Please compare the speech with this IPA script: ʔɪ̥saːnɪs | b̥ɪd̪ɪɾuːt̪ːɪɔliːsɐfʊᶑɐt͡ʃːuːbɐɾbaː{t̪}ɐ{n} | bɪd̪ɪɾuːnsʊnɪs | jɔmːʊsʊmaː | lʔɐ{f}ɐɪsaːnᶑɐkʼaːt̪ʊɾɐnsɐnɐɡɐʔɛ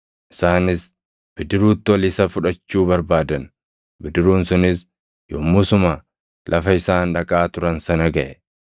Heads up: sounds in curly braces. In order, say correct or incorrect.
incorrect: d̪, correct, correct

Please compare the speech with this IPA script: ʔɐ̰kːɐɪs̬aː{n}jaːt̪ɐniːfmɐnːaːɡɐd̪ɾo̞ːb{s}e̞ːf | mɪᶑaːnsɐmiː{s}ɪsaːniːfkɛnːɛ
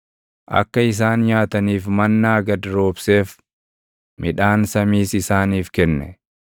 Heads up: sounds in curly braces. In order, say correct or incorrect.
correct, correct, correct

